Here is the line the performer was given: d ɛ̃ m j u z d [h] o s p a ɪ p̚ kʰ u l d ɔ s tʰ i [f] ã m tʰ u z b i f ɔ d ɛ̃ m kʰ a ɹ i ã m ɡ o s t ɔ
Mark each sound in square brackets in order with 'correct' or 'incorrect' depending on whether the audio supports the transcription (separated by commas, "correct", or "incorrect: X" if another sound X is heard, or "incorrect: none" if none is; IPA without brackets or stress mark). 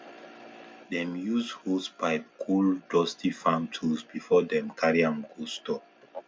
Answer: correct, correct